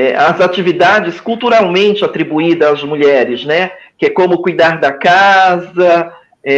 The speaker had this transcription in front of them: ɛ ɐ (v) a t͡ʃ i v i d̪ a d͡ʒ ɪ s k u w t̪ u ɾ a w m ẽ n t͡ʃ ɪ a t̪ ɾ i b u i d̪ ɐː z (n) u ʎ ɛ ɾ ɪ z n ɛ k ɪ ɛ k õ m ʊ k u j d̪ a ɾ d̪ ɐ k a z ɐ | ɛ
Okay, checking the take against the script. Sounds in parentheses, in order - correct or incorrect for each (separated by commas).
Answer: incorrect, incorrect